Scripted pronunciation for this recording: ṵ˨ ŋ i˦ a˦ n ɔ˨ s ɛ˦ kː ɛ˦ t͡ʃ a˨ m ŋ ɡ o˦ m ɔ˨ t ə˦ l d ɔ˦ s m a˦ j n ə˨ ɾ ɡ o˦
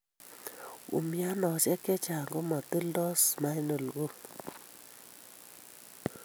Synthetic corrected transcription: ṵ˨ m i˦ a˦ n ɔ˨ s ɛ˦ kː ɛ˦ t͡ʃ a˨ ŋ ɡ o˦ m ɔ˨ t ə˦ l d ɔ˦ s m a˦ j n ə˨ l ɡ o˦